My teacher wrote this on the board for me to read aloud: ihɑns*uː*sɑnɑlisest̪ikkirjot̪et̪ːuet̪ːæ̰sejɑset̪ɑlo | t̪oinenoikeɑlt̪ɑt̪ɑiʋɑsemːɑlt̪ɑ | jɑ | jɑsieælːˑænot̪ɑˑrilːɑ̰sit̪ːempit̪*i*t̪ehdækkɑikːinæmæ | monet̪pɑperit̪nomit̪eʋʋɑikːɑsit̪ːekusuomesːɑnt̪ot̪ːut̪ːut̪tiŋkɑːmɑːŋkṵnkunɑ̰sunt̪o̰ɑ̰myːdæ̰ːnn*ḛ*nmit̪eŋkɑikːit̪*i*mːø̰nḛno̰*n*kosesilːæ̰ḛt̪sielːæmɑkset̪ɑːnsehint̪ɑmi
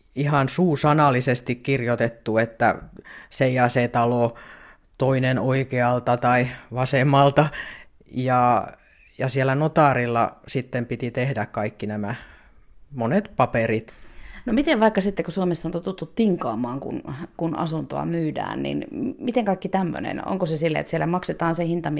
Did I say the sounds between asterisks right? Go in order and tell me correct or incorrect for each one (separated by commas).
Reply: correct, correct, incorrect, incorrect, incorrect